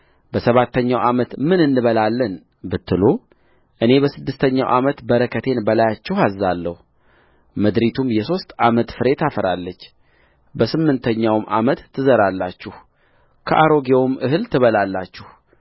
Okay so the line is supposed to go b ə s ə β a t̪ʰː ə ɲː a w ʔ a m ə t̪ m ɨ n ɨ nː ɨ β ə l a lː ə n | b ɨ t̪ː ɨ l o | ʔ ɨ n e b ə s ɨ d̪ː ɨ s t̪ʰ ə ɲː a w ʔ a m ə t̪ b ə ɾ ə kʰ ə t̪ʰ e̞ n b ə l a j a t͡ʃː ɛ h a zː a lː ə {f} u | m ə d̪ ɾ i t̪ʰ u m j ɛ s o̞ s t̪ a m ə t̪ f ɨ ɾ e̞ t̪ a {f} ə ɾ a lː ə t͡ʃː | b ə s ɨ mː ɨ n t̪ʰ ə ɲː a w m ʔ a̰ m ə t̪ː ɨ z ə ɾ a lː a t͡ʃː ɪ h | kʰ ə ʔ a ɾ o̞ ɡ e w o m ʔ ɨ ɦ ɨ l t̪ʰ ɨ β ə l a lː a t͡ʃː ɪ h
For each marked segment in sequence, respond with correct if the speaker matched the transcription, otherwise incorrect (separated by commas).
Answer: incorrect, correct